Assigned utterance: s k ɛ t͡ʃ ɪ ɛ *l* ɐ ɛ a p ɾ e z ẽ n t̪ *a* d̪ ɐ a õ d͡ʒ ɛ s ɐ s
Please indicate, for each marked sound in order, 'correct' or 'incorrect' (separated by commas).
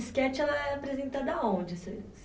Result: correct, correct